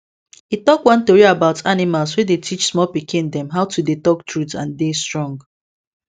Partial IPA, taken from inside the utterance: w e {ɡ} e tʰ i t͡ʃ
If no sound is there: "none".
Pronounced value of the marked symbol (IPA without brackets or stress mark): d